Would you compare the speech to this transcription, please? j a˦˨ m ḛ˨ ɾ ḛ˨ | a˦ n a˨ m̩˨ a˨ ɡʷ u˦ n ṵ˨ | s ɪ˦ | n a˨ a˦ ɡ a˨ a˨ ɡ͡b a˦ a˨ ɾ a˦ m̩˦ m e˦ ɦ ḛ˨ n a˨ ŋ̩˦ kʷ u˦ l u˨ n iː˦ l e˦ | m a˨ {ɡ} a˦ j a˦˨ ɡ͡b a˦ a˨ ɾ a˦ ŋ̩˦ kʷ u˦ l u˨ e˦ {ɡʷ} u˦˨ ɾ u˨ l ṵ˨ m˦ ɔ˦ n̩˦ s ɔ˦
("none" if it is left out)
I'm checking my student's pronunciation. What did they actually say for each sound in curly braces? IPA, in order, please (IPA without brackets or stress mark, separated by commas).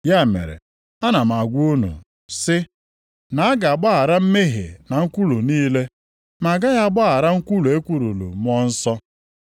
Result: ɡ, kʷ